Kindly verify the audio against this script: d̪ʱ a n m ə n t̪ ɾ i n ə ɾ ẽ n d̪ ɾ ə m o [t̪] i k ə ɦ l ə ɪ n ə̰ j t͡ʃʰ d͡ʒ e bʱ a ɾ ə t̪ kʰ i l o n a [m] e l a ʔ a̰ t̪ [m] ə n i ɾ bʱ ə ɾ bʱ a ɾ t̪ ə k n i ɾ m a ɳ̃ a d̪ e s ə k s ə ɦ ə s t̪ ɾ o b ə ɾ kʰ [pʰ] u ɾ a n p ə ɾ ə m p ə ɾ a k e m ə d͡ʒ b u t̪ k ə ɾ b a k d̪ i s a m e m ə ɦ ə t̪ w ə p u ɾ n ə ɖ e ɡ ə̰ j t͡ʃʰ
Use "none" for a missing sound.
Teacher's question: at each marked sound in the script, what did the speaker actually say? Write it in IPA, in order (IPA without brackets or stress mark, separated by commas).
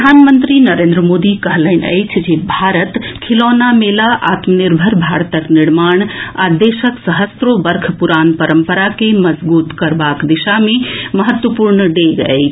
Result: d̪, m, m, p